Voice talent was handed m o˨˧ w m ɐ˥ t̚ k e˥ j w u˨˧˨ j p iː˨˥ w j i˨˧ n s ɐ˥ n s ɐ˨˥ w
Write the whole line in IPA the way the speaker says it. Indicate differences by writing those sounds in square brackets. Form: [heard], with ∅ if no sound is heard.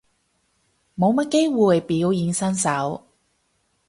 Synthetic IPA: m o˨˧ w m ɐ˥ t̚ k e˥ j w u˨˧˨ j p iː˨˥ w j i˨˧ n s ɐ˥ n s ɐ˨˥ w